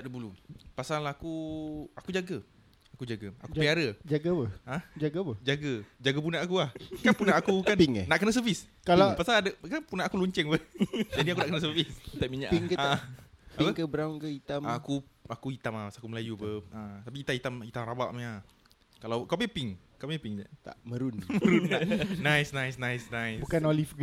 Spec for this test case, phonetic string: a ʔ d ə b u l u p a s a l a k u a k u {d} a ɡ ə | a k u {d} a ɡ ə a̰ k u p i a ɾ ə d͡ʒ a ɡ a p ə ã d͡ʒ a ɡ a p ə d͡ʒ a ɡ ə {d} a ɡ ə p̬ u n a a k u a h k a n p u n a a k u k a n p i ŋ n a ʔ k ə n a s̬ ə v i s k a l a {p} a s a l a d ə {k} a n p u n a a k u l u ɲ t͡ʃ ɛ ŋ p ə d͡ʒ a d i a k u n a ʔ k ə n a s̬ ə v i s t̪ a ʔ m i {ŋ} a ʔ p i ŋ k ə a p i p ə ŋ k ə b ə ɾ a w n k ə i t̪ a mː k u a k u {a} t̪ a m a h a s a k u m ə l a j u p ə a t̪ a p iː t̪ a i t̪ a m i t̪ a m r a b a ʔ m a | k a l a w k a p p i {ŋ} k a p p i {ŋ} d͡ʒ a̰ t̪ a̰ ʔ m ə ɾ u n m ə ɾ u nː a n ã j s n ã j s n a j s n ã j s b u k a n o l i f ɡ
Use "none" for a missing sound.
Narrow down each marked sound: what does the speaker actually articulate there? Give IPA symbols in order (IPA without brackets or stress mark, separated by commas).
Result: d͡ʒ, d͡ʒ, d͡ʒ, p, k, ɲ, i, ŋ, ŋ